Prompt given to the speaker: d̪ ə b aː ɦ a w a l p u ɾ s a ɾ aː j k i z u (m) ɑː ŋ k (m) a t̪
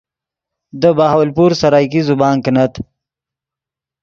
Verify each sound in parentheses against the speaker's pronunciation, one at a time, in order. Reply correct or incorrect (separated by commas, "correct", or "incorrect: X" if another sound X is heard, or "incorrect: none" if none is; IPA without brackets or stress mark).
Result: incorrect: b, incorrect: n